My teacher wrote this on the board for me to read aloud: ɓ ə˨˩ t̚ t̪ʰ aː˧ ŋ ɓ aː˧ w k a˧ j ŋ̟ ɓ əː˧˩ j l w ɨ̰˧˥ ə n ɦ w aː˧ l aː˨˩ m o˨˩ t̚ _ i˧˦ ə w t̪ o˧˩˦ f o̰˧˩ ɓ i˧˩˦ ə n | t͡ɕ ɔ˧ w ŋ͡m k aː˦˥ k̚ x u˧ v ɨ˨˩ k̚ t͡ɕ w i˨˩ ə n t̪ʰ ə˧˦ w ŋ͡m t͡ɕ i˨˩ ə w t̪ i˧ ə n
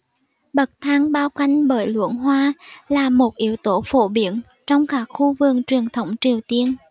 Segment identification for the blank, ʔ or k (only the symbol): ʔ